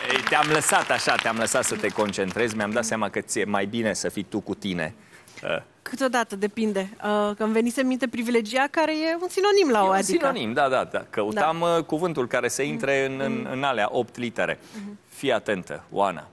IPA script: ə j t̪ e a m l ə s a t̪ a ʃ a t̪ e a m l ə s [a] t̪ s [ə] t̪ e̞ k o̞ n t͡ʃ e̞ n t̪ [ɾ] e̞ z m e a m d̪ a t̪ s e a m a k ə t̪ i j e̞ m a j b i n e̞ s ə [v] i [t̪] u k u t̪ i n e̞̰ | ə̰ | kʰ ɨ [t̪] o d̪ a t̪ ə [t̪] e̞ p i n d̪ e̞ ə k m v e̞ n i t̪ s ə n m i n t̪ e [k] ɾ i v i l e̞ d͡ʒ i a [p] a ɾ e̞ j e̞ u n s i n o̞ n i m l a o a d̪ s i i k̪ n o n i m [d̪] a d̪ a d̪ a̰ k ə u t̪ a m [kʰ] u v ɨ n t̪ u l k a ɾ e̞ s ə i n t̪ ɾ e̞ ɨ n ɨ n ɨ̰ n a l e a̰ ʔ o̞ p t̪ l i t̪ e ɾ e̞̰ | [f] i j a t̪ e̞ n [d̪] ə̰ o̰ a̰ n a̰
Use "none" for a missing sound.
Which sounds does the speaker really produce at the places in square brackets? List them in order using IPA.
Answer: a, ə, ɾ, f, t̪, t̪, d̪, p, k, d̪, k, f, t̪

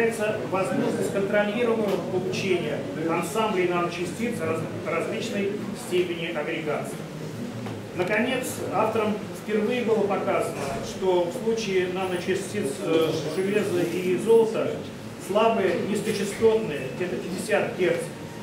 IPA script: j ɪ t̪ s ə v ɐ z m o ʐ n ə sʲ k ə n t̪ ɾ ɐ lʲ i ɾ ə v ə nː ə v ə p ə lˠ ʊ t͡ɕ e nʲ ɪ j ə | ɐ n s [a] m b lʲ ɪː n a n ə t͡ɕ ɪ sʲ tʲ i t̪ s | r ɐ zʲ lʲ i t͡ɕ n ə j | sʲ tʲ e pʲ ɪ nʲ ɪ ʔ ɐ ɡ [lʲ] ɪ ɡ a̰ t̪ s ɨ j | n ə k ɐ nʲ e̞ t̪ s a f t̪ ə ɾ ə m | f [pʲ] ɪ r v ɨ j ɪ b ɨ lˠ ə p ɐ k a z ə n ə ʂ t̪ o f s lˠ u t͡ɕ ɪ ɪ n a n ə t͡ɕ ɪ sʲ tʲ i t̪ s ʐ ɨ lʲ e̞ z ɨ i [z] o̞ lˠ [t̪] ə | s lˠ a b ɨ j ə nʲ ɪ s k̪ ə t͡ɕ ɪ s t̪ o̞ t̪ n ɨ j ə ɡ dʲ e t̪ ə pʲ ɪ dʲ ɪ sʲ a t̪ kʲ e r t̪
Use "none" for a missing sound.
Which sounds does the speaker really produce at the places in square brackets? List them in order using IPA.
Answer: a, ɾʲ, pʲ, z, t̪

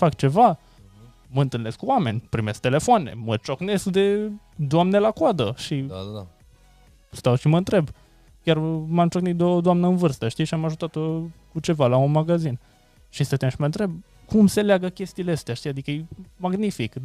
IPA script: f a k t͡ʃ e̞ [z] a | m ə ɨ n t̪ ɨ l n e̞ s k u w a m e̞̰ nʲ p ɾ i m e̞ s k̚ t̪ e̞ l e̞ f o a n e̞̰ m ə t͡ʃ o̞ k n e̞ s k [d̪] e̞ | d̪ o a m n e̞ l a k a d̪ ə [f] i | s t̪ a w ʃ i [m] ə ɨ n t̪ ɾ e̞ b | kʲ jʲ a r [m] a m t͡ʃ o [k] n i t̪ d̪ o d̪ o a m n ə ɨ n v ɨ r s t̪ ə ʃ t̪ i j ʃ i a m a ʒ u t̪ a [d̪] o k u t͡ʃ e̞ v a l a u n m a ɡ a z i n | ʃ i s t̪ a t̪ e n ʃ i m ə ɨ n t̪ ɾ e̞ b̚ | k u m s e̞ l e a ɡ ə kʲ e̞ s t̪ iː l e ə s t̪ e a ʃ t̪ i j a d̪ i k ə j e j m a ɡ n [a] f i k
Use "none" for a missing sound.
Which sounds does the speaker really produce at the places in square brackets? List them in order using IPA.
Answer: v, d̪, ʃ, m, m, k, t̪, i

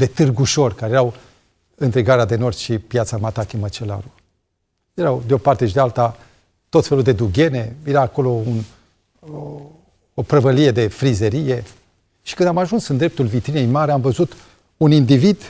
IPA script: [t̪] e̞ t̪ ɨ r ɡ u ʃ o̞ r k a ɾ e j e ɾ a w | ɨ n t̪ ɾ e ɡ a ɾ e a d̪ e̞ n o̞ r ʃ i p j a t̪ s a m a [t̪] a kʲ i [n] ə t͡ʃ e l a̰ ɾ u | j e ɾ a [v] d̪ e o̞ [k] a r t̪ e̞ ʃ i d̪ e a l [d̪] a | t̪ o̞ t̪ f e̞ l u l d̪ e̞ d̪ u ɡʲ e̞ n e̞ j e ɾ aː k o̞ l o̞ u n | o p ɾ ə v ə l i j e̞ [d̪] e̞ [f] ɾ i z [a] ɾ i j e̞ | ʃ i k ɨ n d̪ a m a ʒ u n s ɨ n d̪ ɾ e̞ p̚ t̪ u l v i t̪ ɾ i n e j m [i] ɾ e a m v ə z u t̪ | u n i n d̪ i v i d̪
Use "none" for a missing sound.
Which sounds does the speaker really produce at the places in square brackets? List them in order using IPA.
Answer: d̪, t̪, m, w, p, t̪, d̪, f, e, a

